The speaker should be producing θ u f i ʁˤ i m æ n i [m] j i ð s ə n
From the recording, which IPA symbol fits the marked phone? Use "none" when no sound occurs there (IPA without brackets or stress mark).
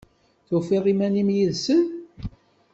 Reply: m